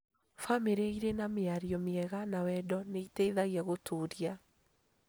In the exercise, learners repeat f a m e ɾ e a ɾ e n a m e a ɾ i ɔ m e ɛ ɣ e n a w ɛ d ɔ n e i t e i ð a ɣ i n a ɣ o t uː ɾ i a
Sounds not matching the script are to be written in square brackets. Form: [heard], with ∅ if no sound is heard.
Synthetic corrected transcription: f a m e ɾ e [i] ɾ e n a m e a ɾ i ɔ m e ɛ ɣ [a] n a w ɛ d ɔ n e i t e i ð a ɣ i [∅] a ɣ o t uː ɾ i a